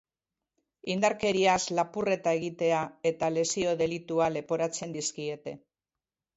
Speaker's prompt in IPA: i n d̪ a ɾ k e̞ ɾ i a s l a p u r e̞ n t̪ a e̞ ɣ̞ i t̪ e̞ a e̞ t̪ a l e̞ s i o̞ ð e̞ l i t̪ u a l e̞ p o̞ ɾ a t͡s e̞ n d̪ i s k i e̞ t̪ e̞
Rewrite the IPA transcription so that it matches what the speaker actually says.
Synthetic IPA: i n d̪ a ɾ k e̞ ɾ i a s l a p u r e̞ t̪ a e̞ ɣ̞ i t̪ e̞ a e̞ t̪ a l e̞ s i o̞ ð e̞ l i t̪ u a l e̞ p o̞ ɾ a t͡s e̞ n d̪ i s k i e̞ t̪ e̞